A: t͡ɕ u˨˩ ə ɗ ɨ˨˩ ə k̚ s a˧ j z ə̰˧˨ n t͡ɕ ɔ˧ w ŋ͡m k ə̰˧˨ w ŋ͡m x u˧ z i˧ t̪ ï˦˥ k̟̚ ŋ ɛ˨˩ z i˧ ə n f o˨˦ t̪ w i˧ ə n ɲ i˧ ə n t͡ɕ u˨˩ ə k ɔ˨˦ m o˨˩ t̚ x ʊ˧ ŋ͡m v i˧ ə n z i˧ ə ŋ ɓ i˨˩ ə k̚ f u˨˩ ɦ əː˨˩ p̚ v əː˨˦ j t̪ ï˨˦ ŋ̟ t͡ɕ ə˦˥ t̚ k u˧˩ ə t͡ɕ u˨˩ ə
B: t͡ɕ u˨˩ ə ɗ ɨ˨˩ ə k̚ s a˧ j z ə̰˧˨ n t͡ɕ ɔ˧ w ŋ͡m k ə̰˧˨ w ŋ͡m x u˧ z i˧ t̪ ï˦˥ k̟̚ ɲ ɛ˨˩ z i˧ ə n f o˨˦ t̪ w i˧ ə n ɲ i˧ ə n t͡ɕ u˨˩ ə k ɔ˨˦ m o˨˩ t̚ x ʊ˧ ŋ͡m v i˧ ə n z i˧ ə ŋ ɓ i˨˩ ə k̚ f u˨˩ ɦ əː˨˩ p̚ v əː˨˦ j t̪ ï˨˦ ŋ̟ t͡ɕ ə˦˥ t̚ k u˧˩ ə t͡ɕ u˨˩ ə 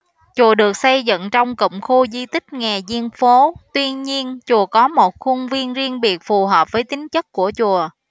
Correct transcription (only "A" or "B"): A